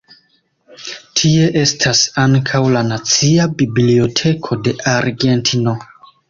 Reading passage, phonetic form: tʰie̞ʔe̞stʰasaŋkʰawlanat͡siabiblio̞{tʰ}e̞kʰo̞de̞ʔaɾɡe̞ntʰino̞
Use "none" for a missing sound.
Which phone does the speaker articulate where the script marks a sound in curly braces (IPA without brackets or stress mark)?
tʰ